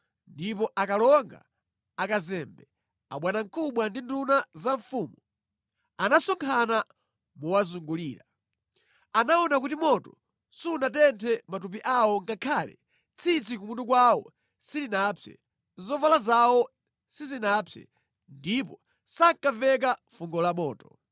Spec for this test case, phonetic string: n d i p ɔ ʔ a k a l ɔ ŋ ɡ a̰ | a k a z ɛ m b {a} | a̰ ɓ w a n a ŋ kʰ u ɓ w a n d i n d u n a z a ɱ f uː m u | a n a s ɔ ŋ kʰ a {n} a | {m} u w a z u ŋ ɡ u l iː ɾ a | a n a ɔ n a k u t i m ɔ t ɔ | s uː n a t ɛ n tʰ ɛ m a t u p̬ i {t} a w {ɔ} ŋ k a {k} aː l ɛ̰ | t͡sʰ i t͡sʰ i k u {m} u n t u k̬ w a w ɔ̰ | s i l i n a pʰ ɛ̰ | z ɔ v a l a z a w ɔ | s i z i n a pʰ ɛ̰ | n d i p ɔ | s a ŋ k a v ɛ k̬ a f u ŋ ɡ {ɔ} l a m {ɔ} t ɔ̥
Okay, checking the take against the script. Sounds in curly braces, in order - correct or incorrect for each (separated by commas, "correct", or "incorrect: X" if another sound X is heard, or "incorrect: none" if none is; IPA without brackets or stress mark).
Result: incorrect: ɛ, correct, correct, incorrect: ʔ, correct, incorrect: kʰ, correct, correct, incorrect: ɔː